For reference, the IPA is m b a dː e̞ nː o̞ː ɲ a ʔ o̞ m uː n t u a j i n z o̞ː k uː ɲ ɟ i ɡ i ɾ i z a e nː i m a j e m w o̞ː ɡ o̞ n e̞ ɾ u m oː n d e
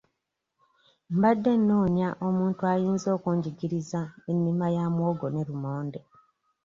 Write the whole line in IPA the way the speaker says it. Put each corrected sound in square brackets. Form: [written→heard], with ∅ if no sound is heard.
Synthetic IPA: m b a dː e̞ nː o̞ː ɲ a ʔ o̞ m uː n t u a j [i→iː] n z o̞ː k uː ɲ ɟ i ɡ i ɾ i z a e nː i m a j [e→a] m w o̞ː ɡ o̞ n e̞ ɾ u m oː n d e